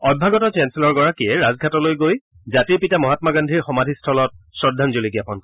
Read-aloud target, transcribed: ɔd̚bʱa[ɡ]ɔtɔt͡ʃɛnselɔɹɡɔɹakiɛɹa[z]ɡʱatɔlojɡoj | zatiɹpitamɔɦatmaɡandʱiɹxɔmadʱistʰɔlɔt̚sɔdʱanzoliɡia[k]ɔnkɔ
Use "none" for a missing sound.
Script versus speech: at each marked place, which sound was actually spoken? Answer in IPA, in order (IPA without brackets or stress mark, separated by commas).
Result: ɡ, z, p